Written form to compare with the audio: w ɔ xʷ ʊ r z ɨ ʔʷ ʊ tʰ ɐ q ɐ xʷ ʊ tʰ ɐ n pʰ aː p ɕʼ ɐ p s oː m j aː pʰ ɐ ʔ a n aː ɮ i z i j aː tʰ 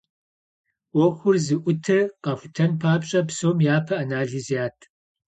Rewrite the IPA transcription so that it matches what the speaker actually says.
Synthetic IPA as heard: w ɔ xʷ ʊ r z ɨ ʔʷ ʊ tʰ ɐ q ɐ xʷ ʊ tʰ ɐ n pʰ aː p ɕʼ ɐ p s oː m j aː pʰ ɐ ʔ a n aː ɮ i z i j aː tʰ